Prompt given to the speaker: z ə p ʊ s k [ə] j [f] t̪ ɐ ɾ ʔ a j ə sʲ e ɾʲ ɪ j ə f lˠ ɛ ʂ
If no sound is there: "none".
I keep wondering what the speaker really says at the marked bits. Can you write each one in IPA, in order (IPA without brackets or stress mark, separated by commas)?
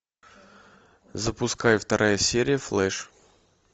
a, f